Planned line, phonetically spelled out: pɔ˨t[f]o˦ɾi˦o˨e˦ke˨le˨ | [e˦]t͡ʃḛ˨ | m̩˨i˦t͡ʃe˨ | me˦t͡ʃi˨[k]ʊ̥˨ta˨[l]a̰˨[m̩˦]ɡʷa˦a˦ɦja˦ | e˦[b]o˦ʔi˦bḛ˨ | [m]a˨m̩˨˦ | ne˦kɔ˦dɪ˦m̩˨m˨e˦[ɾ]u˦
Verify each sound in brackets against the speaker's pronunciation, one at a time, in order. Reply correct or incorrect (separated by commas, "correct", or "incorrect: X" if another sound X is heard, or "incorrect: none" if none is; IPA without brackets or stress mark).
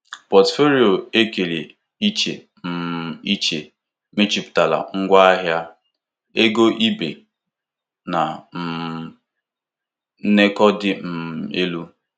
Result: correct, incorrect: i˦, incorrect: p, correct, incorrect: ŋ̩˦, incorrect: ɡ, incorrect: n, incorrect: l